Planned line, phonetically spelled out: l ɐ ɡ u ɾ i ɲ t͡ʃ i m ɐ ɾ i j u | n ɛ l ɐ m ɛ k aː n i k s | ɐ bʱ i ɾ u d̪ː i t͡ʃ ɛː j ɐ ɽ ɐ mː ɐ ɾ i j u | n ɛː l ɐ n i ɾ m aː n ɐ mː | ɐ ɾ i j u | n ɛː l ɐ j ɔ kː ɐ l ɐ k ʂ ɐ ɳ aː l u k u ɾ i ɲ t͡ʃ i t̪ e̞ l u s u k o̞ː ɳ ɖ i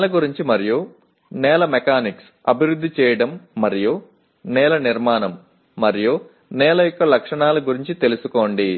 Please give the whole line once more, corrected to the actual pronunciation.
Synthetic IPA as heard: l ɐ ɡ u ɾ i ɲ t͡ʃ i m ɐ ɾ i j u | n ɛː l ɐ m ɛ k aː n i k s | ɐ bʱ i ɾ u d̪ː i t͡ʃ ɛː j ɐ ɽ ɐ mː ɐ ɾ i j u | n ɛː l ɐ n i ɾ m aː n ɐ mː | ɐ ɾ i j u | n ɛː l ɐ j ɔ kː ɐ l ɐ k ʂ ɐ ɳ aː l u ɡ u ɾ i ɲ t͡ʃ i t̪ e̞ l u s u k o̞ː ɳ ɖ i

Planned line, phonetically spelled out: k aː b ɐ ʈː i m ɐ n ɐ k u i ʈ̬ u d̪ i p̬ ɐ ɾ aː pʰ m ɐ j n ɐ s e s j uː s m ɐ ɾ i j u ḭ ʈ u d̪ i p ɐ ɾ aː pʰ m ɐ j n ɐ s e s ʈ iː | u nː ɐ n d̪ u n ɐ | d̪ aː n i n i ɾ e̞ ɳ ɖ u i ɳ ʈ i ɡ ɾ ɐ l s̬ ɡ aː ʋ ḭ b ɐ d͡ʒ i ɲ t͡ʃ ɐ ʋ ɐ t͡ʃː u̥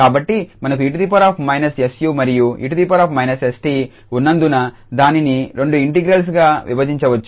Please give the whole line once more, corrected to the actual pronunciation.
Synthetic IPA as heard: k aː b ɐ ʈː i m ɐ n ɐ k u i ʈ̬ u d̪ i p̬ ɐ ɾ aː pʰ m ɐ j n ɐ s e s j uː m ɐ ɾ i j u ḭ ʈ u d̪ i p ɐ ɾ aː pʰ m ɐ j n ɐ s e s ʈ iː | u nː ɐ n d̪ u n ɐ | d̪ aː n i n i ɾ e̞ ɳ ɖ u i ɳ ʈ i ɡ ɾ ɐ l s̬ ɡ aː ʋ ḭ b ɐ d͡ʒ i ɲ t͡ʃ ɐ ʋ ɐ t͡ʃː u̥

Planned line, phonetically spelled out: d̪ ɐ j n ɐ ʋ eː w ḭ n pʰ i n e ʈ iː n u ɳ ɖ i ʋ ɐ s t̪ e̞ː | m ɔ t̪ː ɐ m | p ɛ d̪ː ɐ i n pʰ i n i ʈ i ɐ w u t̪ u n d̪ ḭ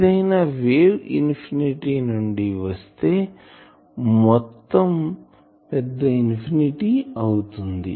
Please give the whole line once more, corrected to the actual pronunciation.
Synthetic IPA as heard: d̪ ɐ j n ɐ ʋ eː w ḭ n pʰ i n i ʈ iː n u ɳ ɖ i ʋ ɐ s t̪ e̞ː | m ɔ t̪ː ɐ m | p ɛ d̪ː ɐ i n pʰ i n i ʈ i ɐ w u t̪ u n d̪ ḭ

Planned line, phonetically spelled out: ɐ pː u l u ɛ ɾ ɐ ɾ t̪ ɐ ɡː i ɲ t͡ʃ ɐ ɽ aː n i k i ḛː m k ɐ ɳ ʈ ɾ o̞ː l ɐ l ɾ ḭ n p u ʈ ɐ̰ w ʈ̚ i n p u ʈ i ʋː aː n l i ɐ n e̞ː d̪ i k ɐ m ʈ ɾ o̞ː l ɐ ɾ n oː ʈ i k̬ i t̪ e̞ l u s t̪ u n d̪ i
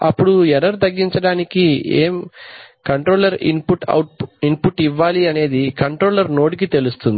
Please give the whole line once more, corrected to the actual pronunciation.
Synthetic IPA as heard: ɐ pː u ɽ u ɛ ɾ ɐ ɾ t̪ ɐ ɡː i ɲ t͡ʃ ɐ ɽ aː n i k i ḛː m k ɐ ɳ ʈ ɾ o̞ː l ɐ ɾ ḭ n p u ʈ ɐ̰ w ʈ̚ i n p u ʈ i ʋː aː l i ɐ n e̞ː d̪ i k ɐ ɳ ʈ ɾ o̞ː l ɐ ɾ n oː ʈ i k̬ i t̪ e̞ l u s t̪ u n d̪ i

